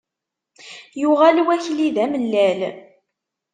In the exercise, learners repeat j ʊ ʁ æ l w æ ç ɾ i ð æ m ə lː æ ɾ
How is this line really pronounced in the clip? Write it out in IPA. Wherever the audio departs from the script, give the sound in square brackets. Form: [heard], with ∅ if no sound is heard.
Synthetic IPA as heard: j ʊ ʁ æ l w æ ç [l] i ð æ m ə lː æ [l]